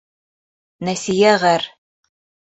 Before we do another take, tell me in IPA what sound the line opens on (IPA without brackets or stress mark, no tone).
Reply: n